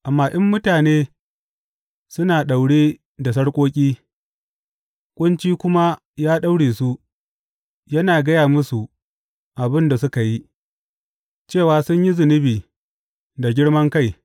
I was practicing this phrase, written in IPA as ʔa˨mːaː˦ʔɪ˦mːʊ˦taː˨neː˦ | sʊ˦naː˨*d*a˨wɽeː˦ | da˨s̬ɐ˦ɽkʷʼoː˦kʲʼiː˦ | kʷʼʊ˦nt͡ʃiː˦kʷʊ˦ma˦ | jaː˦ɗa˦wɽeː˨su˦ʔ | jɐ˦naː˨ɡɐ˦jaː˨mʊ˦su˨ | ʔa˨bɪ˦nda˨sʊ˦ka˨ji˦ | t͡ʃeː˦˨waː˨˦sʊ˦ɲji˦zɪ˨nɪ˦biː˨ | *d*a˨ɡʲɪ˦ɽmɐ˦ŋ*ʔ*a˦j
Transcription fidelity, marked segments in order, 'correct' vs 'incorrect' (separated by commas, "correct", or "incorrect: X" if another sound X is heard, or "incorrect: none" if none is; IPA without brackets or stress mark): incorrect: ɗ, correct, incorrect: k